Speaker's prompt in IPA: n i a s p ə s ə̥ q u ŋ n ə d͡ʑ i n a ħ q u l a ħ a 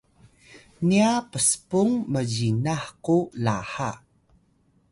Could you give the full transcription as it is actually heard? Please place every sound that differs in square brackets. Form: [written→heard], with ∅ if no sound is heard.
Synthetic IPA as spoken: n i a [s→∅] p ə s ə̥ [q→p] u ŋ [n→m] ə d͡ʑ i n a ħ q u l a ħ a

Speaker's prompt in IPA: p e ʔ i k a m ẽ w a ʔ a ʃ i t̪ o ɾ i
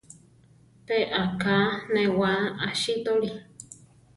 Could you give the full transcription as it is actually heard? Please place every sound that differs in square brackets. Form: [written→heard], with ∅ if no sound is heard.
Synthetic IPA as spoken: p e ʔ [i→a] k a [m→n] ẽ w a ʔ a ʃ i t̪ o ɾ i

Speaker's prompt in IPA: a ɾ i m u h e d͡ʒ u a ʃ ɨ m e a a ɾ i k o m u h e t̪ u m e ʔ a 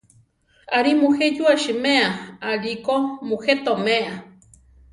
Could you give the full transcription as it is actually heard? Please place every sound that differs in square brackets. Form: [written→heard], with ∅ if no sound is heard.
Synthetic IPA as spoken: a ɾ i m u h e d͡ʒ u a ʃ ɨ m e a a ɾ i k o m u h e t̪ [u→o] m e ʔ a

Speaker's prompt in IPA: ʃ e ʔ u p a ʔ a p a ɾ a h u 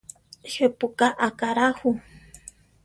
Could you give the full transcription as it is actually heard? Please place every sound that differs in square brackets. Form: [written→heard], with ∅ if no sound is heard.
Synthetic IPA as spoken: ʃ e [ʔ→p] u [p→k] a ʔ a [p→k] a ɾ a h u

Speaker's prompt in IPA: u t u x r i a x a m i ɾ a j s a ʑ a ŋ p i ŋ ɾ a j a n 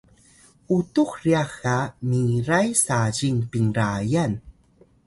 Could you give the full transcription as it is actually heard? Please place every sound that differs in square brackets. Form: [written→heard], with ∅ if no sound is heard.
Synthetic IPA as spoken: u t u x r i a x a m i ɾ a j s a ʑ [a→i] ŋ p i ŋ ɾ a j a n

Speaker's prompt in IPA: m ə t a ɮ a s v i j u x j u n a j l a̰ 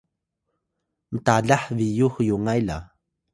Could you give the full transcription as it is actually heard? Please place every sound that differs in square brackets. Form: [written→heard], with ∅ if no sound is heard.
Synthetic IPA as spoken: m ə t a ɮ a [s→ħ] v i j u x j u [n→ŋ] a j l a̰

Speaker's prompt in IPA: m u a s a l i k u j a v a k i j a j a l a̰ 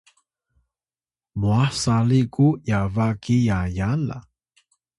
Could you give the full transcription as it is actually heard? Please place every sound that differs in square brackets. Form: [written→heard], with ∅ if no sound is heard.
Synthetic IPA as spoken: m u a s a l i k u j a v a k i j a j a l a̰

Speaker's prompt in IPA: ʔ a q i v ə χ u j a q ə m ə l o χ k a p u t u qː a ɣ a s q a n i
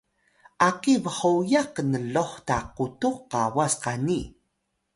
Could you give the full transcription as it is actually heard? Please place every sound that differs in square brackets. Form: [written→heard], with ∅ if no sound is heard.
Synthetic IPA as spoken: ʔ a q i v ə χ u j a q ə [m→n] ə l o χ [k→t] a [p→q] u t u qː a [ɣ→w] a s q a n i

